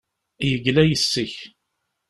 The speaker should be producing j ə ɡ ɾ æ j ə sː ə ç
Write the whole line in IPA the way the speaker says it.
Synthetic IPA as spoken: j ə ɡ l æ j ə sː ə ç